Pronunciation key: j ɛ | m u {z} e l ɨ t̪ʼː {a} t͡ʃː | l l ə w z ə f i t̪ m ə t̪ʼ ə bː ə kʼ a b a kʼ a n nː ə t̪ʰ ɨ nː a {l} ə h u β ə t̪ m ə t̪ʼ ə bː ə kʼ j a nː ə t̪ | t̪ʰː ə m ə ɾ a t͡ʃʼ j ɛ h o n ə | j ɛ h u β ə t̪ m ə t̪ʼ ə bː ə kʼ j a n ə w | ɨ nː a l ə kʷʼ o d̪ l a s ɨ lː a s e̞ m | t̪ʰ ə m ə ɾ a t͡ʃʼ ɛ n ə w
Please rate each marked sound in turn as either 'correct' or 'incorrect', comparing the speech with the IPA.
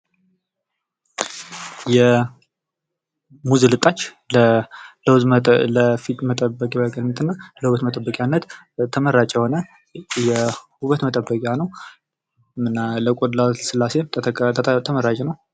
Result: correct, correct, correct

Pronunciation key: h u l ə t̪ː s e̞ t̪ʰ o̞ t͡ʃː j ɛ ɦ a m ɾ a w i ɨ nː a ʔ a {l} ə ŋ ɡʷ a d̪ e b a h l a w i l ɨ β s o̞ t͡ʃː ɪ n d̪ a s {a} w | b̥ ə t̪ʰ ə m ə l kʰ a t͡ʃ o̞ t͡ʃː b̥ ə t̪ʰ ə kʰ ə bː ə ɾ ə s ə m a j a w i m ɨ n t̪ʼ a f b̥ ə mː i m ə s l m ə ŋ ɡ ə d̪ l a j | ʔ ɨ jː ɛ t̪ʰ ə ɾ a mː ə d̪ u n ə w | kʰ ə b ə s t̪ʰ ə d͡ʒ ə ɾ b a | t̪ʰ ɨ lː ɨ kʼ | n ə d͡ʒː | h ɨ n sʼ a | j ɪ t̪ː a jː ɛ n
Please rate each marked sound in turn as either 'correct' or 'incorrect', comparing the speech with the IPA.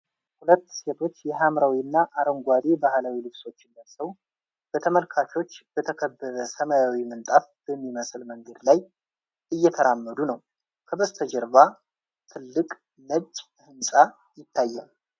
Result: incorrect: ɾ, incorrect: ə

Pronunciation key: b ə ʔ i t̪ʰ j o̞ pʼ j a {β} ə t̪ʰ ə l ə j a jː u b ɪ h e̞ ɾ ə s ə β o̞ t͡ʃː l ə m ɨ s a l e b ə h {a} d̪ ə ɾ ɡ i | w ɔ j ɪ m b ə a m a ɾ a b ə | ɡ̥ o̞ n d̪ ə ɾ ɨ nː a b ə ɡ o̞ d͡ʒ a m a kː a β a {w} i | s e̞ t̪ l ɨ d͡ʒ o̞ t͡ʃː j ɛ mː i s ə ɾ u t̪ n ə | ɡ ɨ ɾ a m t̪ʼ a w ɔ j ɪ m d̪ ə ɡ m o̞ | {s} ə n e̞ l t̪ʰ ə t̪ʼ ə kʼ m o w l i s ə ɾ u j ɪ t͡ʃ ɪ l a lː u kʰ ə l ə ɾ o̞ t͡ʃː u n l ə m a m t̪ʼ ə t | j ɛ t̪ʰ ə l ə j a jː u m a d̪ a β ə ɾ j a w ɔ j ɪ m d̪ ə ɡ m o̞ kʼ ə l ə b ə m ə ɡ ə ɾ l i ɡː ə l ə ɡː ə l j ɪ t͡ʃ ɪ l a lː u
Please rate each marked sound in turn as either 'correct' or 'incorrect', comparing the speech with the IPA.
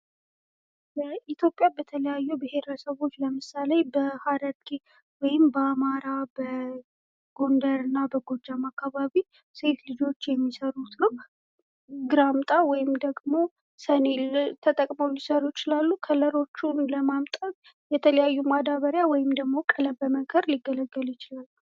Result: incorrect: b, correct, incorrect: β, correct

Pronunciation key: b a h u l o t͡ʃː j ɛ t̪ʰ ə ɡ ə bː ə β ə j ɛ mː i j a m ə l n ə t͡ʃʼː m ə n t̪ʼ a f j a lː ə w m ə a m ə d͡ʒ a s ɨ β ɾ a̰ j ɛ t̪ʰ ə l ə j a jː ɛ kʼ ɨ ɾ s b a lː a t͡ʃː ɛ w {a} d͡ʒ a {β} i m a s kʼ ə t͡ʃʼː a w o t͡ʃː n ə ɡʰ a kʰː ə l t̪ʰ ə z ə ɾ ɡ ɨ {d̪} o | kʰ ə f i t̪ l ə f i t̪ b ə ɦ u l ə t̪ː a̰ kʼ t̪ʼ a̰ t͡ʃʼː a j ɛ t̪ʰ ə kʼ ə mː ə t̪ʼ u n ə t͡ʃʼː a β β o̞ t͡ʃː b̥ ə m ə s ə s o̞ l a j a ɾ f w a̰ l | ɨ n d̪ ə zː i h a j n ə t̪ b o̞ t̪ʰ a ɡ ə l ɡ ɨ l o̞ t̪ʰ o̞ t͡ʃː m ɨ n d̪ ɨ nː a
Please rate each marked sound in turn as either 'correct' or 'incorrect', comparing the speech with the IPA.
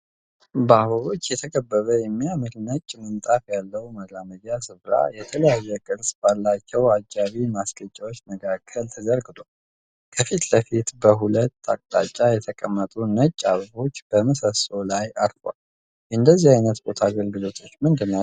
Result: correct, correct, correct

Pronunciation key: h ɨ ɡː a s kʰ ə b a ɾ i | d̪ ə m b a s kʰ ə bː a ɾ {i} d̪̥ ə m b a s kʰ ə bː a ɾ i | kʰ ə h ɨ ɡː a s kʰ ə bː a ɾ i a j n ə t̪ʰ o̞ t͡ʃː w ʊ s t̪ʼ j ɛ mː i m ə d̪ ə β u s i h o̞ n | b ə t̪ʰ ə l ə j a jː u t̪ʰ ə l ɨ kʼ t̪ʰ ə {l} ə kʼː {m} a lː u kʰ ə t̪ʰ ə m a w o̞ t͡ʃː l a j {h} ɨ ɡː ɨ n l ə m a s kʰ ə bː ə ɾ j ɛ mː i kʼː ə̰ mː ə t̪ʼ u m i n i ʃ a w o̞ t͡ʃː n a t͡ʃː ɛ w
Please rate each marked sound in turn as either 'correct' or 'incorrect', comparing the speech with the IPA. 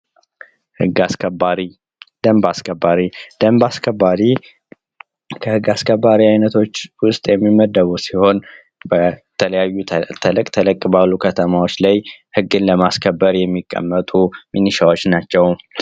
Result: correct, correct, incorrect: b, correct

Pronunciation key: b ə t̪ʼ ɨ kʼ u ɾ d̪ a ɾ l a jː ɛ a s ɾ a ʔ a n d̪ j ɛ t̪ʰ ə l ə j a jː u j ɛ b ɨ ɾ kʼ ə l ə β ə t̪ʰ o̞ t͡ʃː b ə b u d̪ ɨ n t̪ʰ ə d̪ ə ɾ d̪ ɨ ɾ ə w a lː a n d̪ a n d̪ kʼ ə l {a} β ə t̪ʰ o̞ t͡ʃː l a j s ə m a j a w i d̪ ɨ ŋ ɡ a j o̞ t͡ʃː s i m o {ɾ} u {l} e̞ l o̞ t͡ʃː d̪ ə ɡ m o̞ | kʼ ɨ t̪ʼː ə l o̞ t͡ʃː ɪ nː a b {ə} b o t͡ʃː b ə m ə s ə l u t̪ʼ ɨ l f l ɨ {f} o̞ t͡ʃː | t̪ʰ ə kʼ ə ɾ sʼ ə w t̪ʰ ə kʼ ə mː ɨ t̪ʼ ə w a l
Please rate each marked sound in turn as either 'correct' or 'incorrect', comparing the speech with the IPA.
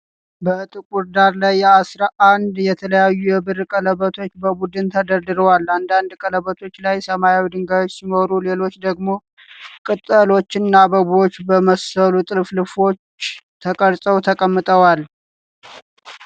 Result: incorrect: ə, correct, correct, correct, correct

